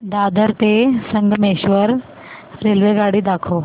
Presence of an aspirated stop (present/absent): present